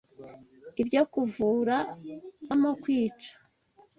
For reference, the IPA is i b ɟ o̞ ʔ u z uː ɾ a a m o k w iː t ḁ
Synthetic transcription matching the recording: i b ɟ o̞ k u v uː ɾ a a m o k w iː t͡ʃ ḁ